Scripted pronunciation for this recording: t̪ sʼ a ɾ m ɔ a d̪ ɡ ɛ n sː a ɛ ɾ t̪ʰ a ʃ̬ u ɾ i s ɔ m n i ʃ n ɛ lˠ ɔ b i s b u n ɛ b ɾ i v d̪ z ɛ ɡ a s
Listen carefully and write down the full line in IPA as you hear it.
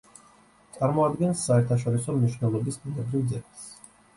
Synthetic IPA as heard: t̪ sʼ a ɾ m ɔ a d̪ ɡ ɛ n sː a ɛ ɾ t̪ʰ a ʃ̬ ɔ ɾ i s ɔ m n i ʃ n ɛ lˠ ɔ b i s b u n ɛ b ɾ i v d̪ z ɛ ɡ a s